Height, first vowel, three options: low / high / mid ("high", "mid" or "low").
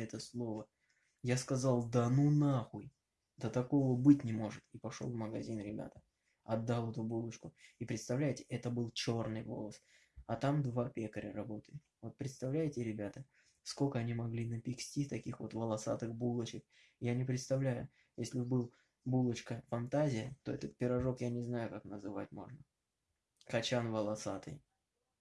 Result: mid